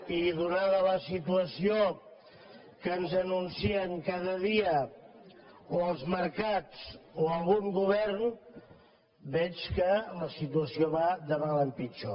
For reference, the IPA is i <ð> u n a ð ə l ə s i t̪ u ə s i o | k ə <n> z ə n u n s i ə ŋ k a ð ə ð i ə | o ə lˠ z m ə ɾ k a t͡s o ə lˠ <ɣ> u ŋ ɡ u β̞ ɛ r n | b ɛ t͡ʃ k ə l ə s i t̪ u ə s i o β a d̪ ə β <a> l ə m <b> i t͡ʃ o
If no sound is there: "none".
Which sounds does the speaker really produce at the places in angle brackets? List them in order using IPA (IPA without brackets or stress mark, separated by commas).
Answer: ð, n, ɣ, a, p